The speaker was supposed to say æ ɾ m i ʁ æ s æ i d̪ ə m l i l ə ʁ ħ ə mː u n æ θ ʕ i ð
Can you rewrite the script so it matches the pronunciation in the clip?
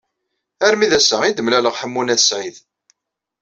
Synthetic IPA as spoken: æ ɾ m i ð æ s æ i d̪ ə m l æ l ə ʁ ħ ə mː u n æ s ʕ i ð